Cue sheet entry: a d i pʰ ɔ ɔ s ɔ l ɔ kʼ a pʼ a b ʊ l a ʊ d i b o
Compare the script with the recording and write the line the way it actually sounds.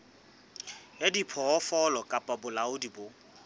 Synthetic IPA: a d i pʰ ɔ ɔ f ɔ l ɔ kʼ a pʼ a b ʊ l a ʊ d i b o